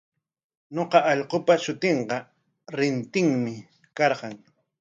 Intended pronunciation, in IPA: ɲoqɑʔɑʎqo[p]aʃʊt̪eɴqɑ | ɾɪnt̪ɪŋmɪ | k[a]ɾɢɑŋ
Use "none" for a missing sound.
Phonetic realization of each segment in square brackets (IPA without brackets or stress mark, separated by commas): p, ɑ